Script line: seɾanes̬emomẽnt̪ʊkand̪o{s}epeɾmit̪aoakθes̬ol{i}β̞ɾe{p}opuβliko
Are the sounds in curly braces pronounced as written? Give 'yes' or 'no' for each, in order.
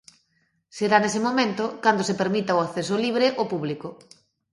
yes, yes, no

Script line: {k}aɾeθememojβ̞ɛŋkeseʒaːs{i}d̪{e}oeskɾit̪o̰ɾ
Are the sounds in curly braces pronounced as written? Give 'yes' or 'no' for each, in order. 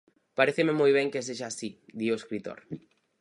no, yes, no

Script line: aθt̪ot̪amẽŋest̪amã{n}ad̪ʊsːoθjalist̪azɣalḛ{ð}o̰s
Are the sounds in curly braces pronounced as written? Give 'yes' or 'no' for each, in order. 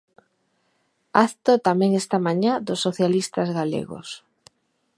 no, no

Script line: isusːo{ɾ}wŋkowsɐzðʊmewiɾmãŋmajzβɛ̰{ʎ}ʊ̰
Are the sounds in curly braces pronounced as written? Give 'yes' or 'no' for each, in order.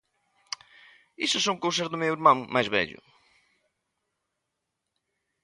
no, yes

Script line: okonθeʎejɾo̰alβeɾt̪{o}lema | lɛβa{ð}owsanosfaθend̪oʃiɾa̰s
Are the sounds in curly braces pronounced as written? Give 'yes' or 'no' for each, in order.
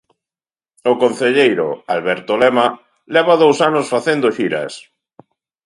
yes, yes

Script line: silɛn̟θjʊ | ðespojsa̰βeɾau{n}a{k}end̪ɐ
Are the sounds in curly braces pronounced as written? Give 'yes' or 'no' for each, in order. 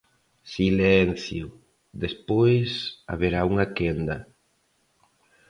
no, yes

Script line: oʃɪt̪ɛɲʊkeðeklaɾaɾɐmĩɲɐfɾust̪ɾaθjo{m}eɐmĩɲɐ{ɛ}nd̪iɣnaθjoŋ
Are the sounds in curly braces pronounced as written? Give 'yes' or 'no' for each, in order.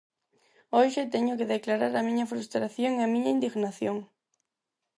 no, no

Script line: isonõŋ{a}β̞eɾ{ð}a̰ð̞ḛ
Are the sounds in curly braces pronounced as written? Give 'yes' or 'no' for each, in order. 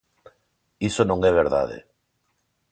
no, yes

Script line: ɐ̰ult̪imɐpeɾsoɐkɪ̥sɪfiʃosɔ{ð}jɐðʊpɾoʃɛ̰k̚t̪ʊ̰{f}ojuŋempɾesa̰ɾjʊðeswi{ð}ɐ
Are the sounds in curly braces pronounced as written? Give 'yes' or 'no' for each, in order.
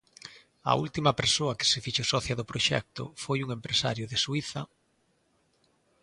no, yes, no

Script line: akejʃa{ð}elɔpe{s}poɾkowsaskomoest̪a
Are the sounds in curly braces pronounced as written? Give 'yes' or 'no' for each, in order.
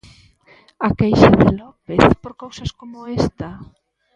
yes, no

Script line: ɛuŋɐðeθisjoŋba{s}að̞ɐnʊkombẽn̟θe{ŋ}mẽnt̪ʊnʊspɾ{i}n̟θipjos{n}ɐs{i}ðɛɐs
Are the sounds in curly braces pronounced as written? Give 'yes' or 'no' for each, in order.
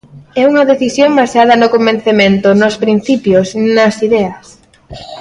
yes, no, yes, yes, yes

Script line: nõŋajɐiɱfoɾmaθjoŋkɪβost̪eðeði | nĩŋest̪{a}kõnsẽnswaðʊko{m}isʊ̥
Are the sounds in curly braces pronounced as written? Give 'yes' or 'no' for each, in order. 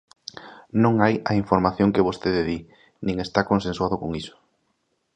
yes, no

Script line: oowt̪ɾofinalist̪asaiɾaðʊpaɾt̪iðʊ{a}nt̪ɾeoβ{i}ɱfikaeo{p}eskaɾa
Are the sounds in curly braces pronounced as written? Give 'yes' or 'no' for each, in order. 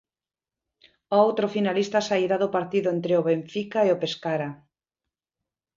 no, no, yes

